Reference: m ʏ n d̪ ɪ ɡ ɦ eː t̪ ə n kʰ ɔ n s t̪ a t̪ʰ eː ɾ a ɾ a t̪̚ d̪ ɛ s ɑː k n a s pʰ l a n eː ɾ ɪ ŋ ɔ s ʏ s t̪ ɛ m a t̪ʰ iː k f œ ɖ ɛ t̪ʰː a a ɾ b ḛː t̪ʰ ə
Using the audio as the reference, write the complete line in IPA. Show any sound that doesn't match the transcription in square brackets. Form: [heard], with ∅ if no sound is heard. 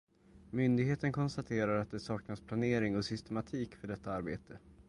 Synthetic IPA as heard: m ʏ n d̪ ɪ ɡ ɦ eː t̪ ə n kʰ ɔ n s t̪ a t̪ʰ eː ɾ a ɾ a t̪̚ d̪ ɛ s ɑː k n a s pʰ l a n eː ɾ ɪ ŋ ɔ s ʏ s t̪ ɛ m a t̪ʰ iː k f œ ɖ ɛ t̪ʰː a a ɾ b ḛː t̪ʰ ə